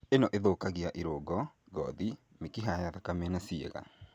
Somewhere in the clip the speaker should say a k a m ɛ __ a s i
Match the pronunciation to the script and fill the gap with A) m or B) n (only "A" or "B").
B